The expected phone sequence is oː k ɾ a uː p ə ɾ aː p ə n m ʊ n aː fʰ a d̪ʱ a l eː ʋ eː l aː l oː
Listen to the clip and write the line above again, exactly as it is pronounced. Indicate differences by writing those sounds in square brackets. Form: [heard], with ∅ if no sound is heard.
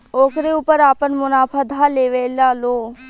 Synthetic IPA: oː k ɾ [e] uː p ə ɾ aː p ə n m ʊ n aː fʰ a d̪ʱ a l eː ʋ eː l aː l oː